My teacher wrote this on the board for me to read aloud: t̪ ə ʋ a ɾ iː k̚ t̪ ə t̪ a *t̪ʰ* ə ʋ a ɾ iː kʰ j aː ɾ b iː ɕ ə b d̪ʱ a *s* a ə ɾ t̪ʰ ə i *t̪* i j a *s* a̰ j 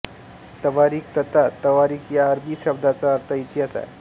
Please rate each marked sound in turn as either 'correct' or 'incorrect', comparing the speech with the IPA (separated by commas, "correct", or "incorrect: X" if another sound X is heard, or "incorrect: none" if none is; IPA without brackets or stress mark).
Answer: incorrect: t̪, incorrect: t͡s, correct, correct